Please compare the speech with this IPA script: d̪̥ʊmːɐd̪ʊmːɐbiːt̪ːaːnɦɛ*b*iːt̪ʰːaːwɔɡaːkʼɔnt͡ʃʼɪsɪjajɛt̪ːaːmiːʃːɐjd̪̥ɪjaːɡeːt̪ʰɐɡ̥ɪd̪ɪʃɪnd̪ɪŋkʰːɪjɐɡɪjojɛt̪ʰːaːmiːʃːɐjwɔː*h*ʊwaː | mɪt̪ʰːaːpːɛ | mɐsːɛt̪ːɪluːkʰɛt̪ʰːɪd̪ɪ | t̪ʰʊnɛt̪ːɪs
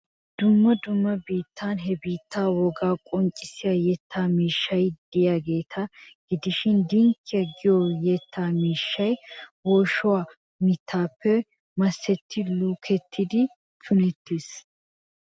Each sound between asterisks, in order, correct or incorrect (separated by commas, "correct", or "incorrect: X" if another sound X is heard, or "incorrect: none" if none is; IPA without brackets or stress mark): correct, incorrect: ʃ